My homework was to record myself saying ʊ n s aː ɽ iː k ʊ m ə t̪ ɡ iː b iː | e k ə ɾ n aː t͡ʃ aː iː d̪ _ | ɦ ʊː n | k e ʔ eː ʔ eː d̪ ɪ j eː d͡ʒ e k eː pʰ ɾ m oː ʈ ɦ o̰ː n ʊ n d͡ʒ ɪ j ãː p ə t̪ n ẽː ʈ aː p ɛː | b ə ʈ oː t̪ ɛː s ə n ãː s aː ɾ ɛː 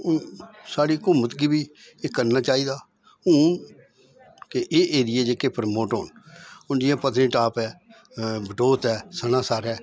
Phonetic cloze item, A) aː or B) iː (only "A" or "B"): A